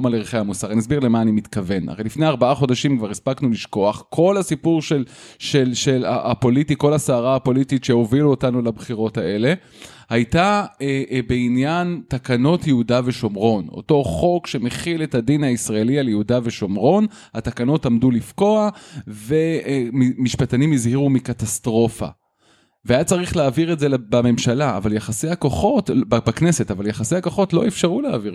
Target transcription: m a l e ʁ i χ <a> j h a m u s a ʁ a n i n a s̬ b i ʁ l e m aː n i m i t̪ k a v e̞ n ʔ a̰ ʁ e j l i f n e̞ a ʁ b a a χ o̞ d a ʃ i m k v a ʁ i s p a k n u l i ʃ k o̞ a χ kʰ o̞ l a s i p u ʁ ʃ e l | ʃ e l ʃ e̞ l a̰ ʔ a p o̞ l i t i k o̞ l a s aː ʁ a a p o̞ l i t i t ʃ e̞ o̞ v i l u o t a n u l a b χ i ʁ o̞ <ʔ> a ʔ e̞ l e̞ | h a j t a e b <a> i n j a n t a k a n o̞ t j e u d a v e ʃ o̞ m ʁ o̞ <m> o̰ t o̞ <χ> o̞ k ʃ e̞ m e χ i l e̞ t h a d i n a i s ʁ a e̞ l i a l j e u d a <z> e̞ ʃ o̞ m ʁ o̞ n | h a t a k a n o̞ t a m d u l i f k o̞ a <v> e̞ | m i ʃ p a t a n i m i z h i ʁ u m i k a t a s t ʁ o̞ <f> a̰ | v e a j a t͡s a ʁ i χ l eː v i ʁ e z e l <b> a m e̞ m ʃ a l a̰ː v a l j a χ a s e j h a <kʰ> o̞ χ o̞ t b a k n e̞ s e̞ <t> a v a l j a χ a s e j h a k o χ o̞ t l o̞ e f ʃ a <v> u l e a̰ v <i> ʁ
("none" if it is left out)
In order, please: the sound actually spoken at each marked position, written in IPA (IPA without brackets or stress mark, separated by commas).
e, t, e, n, χ, v, v, f, b, k, t, ʁ, i